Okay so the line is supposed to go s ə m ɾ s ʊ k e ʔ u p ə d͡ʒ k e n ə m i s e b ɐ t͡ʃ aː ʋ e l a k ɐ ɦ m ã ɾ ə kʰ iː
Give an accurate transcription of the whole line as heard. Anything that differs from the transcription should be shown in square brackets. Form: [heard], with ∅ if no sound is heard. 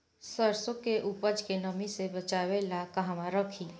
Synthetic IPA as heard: s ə [∅] ɾ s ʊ k e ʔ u p ə d͡ʒ k e n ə m i s e b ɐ t͡ʃ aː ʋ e l a k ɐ ɦ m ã ɾ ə kʰ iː